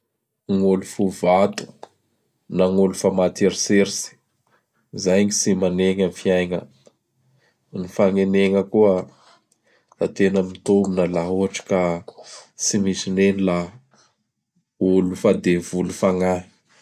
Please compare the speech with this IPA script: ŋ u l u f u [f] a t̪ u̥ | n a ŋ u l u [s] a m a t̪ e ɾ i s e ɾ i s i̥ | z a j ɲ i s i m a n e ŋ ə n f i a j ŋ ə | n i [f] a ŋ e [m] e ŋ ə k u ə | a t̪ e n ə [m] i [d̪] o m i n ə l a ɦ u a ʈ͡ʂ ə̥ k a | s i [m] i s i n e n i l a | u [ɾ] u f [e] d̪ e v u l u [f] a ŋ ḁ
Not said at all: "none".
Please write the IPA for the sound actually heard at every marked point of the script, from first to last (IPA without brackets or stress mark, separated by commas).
v, f, f, n, m, t̪, m, l, a, f